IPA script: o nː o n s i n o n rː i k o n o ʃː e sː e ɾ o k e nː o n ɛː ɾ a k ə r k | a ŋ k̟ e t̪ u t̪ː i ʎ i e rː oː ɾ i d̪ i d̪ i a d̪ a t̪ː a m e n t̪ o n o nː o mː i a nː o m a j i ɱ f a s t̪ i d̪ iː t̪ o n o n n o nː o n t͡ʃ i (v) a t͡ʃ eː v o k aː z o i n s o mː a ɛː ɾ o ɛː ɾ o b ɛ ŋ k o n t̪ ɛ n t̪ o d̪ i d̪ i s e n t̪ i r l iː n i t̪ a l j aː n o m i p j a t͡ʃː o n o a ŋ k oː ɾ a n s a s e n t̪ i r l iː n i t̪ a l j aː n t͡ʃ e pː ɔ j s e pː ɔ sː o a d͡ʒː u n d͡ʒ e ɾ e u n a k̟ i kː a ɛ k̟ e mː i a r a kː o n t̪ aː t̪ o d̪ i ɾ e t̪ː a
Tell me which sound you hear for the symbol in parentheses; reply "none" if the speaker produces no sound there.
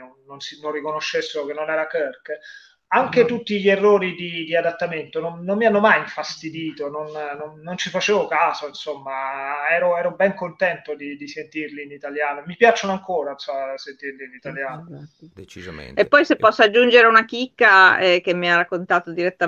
f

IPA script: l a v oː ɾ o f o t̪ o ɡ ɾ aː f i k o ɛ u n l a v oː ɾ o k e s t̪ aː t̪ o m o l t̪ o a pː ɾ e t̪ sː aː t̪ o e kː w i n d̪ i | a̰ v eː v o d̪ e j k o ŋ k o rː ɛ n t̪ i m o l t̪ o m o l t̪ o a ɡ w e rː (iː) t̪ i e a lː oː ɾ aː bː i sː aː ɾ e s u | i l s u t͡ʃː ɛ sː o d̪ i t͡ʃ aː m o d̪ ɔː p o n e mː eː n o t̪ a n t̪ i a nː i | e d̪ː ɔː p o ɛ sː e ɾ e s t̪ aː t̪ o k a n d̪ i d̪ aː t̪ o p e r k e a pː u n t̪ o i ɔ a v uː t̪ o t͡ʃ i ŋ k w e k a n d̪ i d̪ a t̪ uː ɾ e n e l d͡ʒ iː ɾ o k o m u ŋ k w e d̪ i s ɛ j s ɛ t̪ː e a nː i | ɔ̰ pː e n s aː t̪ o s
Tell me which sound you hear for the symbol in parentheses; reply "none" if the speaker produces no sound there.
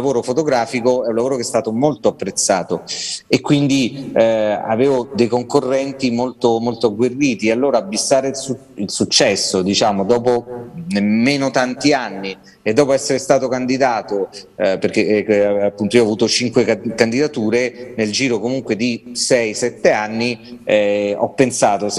iː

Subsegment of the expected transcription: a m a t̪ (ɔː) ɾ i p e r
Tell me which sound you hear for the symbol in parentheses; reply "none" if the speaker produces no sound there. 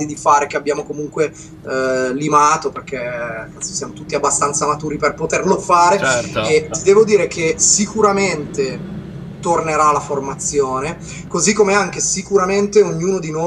uː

